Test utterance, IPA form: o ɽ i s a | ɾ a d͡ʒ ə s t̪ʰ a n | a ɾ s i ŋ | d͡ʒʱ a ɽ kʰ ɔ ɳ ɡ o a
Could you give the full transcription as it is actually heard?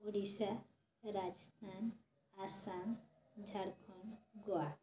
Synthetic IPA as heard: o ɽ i s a | ɾ a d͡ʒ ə s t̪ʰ a n | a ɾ s a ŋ | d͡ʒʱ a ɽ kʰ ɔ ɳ ɡ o a